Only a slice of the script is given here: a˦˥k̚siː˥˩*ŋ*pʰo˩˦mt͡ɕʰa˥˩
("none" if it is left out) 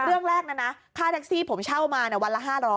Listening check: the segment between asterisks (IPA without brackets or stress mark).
none